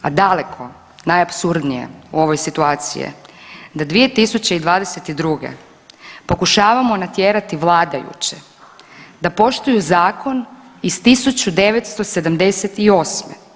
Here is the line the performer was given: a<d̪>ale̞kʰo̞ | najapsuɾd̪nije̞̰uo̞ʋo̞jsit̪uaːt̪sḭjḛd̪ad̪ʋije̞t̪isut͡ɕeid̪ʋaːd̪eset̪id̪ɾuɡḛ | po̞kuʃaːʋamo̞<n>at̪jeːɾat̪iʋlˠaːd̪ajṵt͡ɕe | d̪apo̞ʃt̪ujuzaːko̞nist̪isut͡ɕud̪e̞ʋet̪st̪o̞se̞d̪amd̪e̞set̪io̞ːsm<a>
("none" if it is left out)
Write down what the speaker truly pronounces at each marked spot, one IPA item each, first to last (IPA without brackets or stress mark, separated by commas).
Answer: d̪, n, e